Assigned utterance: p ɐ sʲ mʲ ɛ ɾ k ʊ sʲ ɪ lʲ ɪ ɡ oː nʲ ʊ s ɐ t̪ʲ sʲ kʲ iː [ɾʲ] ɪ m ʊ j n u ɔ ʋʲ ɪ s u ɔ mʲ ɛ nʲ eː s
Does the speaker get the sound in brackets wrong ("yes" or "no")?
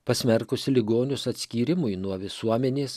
no